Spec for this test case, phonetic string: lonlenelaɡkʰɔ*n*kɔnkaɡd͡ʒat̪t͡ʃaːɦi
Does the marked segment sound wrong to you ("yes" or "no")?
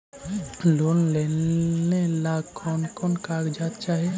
no